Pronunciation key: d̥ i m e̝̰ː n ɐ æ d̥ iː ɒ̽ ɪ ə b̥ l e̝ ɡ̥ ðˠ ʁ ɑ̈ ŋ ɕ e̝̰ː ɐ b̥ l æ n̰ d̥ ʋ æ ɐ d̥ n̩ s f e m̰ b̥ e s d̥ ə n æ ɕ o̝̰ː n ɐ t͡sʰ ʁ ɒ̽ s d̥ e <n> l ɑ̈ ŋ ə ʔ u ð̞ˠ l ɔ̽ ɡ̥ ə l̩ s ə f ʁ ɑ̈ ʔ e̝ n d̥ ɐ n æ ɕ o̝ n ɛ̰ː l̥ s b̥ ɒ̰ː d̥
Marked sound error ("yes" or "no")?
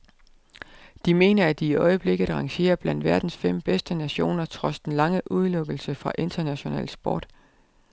no